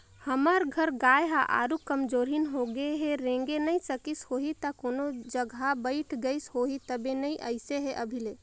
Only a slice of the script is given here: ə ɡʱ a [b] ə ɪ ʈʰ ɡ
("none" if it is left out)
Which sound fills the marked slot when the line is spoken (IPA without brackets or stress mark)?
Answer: b